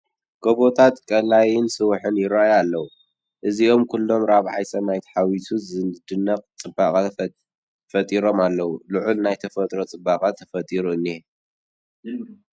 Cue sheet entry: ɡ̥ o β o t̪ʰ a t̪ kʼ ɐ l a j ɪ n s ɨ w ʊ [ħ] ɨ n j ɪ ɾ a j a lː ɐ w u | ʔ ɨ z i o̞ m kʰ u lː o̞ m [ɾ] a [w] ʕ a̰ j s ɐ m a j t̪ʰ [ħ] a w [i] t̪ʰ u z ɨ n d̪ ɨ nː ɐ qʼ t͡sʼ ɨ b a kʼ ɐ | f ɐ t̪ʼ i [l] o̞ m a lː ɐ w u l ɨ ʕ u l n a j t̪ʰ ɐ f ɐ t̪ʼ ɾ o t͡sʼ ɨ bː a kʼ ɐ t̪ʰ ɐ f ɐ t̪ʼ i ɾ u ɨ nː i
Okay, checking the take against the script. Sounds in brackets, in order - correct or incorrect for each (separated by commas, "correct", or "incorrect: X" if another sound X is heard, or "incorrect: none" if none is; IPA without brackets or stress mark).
correct, correct, incorrect: β, correct, correct, incorrect: ɾ